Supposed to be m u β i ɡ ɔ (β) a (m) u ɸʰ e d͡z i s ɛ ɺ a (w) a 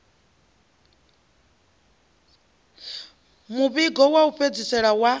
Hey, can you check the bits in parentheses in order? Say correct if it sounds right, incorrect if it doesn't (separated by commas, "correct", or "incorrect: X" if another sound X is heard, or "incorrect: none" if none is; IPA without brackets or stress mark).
incorrect: w, incorrect: none, correct